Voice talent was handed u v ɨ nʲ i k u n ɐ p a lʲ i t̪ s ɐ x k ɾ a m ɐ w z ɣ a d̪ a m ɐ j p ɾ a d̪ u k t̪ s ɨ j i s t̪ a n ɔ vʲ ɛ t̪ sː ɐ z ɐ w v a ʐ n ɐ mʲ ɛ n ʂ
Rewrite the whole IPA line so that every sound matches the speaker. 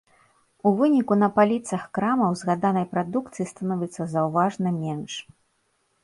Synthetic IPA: u v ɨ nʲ i k u n ɐ p a lʲ i t̪ s ɐ x k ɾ a m ɐ w z ɣ a d̪ a n ɐ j p ɾ a d̪ u k t̪ s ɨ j i s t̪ a n ɔ vʲ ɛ t̪ sː ɐ z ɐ w v a ʐ n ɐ mʲ ɛ n ʂ